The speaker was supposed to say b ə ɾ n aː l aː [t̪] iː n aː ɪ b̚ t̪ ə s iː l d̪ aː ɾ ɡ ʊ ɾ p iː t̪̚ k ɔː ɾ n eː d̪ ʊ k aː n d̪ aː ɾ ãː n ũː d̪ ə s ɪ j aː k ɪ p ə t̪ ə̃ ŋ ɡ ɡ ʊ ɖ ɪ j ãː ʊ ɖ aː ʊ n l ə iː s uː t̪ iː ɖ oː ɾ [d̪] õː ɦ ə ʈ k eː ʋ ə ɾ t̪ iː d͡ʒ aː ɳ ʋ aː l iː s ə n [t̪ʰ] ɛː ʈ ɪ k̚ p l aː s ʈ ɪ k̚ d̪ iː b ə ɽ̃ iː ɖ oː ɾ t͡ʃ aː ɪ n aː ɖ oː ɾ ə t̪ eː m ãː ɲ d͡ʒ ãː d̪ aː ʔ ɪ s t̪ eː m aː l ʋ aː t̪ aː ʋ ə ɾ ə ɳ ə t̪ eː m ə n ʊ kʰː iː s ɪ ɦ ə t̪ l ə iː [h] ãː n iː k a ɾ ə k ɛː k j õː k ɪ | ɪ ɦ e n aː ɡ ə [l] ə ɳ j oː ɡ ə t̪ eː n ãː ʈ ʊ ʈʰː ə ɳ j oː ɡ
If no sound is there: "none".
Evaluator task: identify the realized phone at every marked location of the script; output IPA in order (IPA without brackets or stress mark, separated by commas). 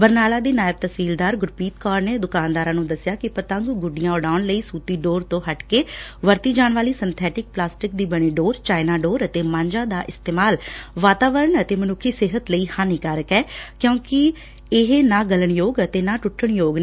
d̪, t̪, t̪ʰ, h, l